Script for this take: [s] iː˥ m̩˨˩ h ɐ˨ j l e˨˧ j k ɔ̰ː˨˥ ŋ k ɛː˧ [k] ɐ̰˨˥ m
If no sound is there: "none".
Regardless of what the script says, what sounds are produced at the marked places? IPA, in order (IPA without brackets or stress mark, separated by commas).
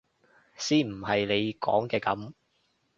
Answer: s, k